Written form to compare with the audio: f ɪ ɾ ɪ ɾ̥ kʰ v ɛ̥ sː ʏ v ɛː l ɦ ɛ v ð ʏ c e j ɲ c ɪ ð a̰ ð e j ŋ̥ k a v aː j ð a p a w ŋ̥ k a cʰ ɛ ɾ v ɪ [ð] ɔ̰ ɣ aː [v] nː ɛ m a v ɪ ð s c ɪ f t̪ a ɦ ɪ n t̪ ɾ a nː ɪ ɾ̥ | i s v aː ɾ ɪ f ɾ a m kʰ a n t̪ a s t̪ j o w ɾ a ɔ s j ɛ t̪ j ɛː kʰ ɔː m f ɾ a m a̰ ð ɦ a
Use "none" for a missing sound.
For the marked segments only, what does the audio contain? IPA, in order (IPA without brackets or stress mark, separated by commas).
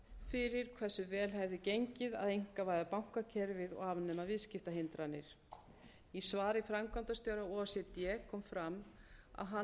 ð, v